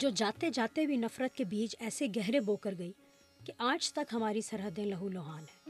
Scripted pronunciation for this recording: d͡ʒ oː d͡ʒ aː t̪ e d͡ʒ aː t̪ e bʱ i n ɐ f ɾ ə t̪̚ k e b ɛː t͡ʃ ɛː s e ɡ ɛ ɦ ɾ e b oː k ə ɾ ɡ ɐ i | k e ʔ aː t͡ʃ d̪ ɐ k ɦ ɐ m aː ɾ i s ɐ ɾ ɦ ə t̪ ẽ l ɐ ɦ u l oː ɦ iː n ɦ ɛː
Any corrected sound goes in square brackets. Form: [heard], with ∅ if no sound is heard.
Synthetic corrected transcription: d͡ʒ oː d͡ʒ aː t̪ e d͡ʒ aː t̪ e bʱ i n ɐ f ɾ ə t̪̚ k e b [iː] t͡ʃ ɛː s e ɡ ɛ ɦ ɾ e b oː k ə ɾ ɡ ɐ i | k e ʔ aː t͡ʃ [t̪] ɐ k ɦ ɐ m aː ɾ i s ɐ ɾ ɦ ə [d̪] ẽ l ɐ ɦ u l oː ɦ [aː] n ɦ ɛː